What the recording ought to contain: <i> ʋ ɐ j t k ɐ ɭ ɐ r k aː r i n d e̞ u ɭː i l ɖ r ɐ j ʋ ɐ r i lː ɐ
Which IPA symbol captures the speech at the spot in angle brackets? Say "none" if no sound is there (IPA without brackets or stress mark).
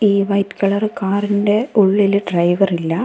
iː